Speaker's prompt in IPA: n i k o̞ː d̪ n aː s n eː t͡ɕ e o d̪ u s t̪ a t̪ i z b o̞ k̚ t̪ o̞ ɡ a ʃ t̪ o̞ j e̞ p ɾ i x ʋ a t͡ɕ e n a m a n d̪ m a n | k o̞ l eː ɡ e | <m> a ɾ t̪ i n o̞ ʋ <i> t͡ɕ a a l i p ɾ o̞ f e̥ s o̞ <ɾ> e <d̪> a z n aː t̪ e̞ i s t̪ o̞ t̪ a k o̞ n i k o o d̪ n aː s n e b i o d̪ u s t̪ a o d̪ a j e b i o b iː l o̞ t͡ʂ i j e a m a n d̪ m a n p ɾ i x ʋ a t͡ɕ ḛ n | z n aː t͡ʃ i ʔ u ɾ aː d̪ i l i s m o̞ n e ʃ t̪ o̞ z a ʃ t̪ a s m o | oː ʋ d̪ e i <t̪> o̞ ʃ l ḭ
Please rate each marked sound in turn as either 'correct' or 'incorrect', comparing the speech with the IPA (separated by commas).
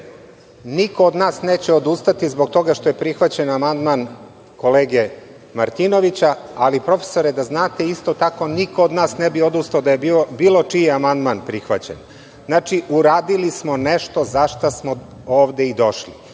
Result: correct, correct, correct, correct, incorrect